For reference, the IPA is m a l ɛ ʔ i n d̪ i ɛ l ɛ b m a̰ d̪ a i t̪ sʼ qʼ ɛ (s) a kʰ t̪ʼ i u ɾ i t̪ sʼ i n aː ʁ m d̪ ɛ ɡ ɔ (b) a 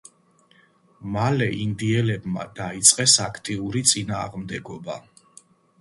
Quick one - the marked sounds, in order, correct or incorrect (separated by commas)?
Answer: correct, correct